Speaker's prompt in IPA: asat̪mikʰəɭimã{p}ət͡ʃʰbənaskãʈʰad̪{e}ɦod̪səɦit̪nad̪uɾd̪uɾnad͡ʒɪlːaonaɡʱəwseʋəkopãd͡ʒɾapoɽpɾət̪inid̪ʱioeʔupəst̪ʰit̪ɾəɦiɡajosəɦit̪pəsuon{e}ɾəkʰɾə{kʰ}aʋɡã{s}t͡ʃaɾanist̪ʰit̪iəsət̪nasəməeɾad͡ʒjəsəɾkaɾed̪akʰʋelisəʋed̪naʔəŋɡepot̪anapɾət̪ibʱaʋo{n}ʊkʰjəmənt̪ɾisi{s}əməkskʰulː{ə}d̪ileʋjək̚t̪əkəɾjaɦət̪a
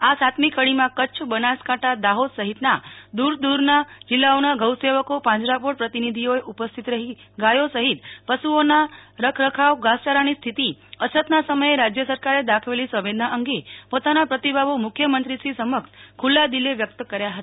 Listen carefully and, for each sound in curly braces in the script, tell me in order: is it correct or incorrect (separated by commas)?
incorrect, incorrect, incorrect, correct, correct, incorrect, correct, incorrect